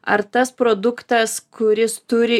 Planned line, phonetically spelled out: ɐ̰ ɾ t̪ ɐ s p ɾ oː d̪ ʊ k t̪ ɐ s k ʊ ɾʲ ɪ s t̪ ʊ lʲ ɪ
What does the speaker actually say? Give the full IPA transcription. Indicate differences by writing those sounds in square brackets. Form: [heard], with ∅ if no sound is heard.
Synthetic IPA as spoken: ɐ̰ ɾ t̪ ɐ s p ɾ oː d̪ ʊ k t̪ ɐ s k ʊ ɾʲ ɪ s t̪ ʊ [ɾʲ] ɪ